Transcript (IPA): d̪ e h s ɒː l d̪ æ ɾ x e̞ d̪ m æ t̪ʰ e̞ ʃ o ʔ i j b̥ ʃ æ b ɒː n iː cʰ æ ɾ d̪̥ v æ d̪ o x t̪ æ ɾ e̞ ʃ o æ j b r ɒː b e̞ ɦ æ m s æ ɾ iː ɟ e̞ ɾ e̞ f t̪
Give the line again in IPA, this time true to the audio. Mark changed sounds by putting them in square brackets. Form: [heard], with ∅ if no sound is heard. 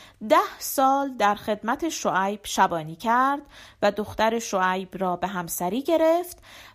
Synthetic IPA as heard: d̪ [æ] h s ɒː l d̪ æ ɾ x e̞ d̪ m æ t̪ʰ e̞ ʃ o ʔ [æ] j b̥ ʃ æ b ɒː n iː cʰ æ ɾ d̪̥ v æ d̪ o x t̪ æ ɾ e̞ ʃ o æ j b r ɒː b e̞ ɦ æ m s æ ɾ iː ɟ e̞ ɾ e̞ f t̪